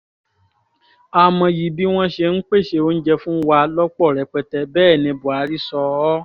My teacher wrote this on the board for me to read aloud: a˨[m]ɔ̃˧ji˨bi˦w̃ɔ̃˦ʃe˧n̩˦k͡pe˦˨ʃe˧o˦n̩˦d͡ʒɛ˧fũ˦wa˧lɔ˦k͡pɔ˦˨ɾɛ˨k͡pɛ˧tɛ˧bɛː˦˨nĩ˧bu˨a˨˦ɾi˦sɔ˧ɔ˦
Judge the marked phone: correct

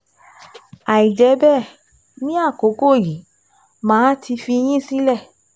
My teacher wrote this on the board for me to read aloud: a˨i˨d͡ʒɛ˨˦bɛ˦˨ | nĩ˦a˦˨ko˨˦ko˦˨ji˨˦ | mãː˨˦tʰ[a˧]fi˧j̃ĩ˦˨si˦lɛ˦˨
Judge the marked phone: incorrect: i˧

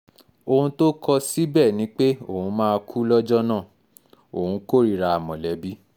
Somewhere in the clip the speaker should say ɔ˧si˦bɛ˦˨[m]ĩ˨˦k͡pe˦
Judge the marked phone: incorrect: n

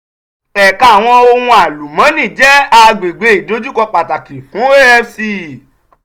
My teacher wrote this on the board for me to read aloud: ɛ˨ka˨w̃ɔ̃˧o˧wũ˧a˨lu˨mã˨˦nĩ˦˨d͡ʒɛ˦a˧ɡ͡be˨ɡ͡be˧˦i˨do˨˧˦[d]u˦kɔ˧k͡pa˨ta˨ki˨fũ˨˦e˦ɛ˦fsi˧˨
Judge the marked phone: incorrect: d͡ʒ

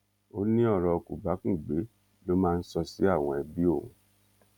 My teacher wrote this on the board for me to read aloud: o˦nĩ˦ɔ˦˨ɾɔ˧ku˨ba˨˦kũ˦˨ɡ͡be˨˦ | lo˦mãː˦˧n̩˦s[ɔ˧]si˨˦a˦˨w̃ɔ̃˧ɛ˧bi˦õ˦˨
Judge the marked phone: correct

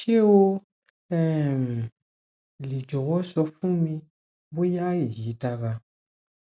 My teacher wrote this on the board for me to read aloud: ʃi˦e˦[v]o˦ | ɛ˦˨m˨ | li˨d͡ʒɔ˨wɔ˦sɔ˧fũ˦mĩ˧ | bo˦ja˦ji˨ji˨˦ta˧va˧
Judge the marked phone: incorrect: w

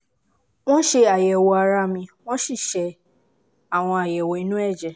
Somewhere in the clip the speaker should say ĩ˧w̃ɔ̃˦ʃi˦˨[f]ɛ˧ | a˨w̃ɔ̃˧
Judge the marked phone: incorrect: ʃ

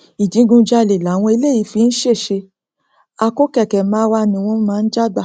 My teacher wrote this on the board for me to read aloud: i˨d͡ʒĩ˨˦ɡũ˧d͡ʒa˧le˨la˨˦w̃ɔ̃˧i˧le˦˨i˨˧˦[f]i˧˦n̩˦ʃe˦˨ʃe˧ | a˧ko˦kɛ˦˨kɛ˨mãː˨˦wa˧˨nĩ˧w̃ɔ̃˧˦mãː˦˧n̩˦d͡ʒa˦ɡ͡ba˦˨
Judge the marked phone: correct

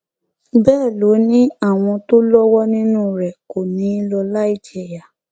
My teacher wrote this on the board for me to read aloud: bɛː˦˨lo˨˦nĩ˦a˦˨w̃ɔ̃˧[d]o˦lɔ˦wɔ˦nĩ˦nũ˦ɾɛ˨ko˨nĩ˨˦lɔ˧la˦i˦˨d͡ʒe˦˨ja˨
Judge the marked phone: incorrect: t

